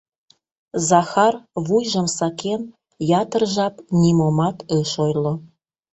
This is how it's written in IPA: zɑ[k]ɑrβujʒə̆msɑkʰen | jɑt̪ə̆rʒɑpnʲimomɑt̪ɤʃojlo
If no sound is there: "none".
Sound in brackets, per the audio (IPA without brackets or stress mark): x